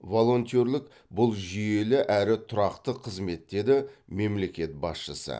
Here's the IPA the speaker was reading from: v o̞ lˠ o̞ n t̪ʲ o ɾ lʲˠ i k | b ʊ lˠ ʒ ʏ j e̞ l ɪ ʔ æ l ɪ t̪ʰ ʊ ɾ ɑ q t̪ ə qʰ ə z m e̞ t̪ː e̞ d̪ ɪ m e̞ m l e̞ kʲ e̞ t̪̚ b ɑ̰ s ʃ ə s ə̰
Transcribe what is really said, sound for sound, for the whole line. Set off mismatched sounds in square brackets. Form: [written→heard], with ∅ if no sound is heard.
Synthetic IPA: v o̞ lˠ o̞ n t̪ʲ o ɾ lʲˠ [i→ɪ] k | b ʊ lˠ ʒ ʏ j e̞ l ɪ ʔ æ [l→ɾ] ɪ t̪ʰ ʊ ɾ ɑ q t̪ ə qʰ ə z m e̞ t̪ː e̞ d̪ ɪ m e̞ m l e̞ kʲ e̞ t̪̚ b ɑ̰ s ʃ ə s ə̰